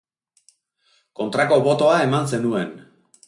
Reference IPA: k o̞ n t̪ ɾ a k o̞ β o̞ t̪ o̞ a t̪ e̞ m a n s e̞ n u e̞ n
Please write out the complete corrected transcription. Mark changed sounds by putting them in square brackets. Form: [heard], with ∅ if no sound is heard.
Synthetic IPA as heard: k o̞ n t̪ ɾ a k o̞ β o̞ t̪ o̞ a [∅] e̞ m a n s e̞ n u e̞ n